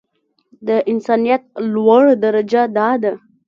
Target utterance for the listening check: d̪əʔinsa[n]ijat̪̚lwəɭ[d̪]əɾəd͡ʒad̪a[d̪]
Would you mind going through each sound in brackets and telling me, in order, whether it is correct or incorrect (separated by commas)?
correct, correct, correct